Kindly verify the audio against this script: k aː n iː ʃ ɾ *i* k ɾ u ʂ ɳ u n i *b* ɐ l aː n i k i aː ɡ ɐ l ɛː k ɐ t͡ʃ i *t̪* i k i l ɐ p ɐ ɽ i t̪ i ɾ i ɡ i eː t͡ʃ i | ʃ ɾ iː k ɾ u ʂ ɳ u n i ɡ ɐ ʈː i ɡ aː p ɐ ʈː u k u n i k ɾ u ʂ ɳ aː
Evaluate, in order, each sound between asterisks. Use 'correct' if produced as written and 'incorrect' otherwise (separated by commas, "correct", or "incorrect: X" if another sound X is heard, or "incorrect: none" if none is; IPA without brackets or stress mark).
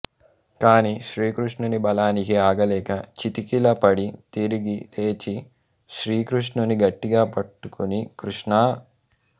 incorrect: iː, correct, correct